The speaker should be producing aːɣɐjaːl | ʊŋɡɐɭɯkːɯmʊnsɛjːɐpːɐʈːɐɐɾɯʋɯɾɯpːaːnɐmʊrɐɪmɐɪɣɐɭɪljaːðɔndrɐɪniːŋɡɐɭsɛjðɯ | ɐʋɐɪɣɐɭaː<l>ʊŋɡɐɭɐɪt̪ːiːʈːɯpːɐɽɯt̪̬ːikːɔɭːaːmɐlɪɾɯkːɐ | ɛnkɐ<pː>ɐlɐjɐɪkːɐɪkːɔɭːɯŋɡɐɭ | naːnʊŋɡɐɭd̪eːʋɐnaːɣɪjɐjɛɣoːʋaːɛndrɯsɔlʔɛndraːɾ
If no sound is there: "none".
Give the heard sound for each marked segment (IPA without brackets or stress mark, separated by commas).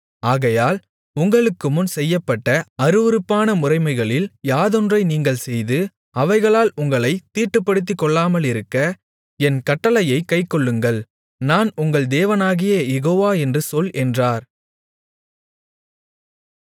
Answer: l, ʈː